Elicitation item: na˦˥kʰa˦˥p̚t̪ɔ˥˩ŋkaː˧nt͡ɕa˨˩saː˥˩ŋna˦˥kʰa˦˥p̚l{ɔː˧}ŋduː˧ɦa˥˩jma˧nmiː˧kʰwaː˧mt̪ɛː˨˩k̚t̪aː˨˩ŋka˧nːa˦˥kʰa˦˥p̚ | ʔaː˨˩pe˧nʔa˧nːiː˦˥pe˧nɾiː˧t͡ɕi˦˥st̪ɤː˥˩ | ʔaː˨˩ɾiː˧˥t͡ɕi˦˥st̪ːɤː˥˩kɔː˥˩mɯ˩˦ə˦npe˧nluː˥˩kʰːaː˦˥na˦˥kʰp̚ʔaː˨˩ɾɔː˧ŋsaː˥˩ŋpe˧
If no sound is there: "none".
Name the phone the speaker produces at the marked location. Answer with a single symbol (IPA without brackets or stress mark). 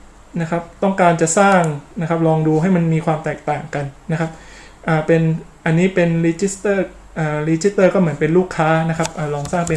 ɔː˧